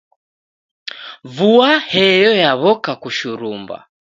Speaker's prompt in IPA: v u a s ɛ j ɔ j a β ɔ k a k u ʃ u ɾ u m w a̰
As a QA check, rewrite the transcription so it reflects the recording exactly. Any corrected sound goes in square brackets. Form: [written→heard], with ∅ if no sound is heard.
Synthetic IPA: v u a [s→h] ɛ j ɔ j a β ɔ k a k u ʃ u ɾ u m [w→b] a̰

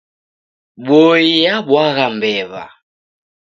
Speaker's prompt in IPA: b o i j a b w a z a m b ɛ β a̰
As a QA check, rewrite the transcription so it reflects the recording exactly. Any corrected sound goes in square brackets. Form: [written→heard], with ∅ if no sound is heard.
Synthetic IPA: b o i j a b w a [z→ɣ] a m b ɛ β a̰

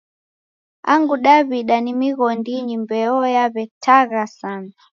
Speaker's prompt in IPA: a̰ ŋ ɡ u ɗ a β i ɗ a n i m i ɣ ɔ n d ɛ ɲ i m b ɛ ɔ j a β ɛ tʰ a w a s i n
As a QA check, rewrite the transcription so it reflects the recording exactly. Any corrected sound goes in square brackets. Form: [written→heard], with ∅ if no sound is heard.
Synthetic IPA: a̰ ŋ ɡ u ɗ a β i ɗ a n i m i ɣ ɔ n d [ɛ→i] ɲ i m b ɛ ɔ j a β ɛ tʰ a [w→ɣ] a s [i→a] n

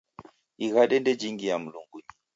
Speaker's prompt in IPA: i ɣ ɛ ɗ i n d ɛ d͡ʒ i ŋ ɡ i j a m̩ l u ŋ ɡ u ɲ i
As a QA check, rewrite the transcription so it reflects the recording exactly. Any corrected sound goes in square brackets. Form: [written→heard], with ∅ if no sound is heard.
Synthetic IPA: i ɣ [ɛ→a] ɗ [i→ɛ] n d ɛ d͡ʒ i ŋ ɡ i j a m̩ l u ŋ ɡ u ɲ i

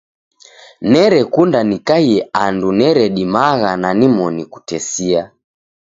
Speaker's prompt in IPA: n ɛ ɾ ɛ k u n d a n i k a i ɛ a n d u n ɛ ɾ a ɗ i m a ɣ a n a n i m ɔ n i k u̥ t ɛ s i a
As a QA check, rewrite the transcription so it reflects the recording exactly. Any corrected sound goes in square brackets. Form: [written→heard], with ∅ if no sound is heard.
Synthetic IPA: n ɛ ɾ ɛ k u n d a n i k a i ɛ a n d u n ɛ ɾ [a→ɛ] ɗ i m a ɣ a n a n i m ɔ n i k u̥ t ɛ s i a

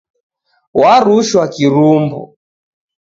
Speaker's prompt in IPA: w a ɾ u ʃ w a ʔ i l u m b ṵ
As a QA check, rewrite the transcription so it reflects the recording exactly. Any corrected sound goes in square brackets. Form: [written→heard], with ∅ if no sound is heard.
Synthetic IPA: w a ɾ u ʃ w a [ʔ→k] i [l→ɾ] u m b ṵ

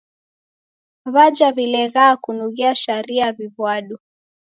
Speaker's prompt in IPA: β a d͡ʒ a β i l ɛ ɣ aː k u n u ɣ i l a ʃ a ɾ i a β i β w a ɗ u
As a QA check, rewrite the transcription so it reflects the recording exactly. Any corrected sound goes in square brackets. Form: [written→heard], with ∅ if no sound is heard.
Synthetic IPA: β a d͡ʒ a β i l ɛ ɣ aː k u n u ɣ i [l→∅] a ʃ a ɾ i a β i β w a ɗ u

